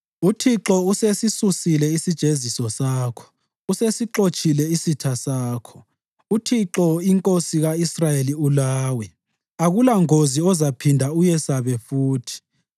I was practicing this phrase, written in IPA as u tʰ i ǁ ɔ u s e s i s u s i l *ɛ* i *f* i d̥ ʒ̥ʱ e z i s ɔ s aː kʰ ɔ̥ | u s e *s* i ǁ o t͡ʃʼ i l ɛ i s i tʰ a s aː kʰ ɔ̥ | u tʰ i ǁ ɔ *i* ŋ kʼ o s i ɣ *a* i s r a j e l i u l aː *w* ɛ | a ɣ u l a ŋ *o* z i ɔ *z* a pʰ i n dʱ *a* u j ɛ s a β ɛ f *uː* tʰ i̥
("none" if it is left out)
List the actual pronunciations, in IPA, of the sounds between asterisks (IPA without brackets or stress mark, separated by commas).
ɛ, s, s, i, a, w, o, z, a, uː